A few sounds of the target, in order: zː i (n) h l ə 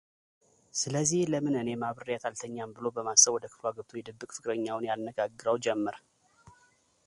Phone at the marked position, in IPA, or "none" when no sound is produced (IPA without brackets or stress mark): none